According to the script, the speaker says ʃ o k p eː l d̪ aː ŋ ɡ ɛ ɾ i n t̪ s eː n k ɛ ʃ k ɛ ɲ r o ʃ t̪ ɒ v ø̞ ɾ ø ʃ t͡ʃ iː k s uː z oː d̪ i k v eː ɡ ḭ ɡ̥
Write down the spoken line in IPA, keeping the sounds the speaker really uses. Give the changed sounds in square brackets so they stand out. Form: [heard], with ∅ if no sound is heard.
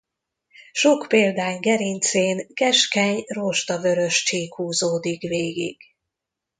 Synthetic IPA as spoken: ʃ o k p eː l d̪ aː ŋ ɡ ɛ ɾ i n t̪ s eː n k ɛ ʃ k ɛ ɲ r o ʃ t̪ ɒ v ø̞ ɾ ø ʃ t͡ʃ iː k [h] uː z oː d̪ i k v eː ɡ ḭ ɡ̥